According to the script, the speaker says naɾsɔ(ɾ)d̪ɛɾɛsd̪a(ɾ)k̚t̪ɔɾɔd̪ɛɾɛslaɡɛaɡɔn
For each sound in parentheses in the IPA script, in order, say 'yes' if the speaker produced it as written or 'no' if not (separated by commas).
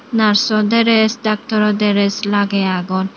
no, no